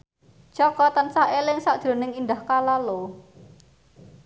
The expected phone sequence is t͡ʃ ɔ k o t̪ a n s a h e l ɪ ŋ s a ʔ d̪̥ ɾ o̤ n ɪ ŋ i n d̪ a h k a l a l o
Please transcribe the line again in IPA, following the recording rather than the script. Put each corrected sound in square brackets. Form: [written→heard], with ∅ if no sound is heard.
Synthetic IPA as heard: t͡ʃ ɔ k [o→ɔ] t̪ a n s a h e l ɪ ŋ s a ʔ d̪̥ ɾ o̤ n ɪ ŋ i n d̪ a h k a l a l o